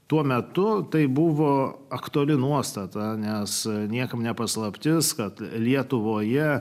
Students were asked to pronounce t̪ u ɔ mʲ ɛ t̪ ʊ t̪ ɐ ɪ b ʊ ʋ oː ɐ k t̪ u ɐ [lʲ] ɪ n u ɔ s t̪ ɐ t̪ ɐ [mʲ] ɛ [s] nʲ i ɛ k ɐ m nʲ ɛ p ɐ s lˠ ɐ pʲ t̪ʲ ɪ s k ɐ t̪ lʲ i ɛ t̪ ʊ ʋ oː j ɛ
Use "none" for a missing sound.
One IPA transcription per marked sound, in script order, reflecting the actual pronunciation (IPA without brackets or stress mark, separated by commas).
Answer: lʲ, nʲ, s